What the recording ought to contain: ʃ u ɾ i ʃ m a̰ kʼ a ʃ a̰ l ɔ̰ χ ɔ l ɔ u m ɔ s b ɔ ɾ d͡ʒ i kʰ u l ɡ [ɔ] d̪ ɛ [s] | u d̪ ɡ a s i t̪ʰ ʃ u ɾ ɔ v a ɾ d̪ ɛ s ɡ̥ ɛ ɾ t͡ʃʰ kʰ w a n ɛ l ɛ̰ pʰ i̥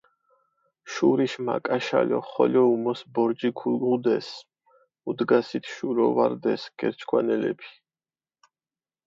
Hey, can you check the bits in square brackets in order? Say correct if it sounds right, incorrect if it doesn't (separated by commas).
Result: incorrect, correct